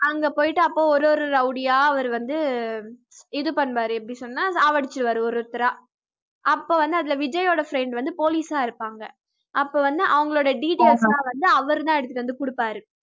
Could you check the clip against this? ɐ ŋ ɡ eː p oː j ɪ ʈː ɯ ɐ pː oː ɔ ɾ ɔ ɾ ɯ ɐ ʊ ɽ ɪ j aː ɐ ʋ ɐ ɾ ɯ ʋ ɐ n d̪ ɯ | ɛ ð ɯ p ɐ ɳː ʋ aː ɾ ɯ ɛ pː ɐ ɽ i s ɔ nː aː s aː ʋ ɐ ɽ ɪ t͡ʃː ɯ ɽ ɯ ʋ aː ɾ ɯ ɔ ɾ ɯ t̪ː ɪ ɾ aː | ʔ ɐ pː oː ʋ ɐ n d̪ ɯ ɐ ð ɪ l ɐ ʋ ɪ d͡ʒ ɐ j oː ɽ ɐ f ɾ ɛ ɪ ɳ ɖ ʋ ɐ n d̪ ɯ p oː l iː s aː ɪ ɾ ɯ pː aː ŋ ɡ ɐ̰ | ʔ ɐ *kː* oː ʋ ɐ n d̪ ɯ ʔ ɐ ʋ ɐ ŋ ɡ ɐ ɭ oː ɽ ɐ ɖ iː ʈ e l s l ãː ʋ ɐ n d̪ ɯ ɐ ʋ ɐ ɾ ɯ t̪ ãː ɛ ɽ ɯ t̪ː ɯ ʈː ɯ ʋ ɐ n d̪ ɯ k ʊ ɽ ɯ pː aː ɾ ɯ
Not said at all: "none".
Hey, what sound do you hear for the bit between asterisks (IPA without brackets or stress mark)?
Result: pː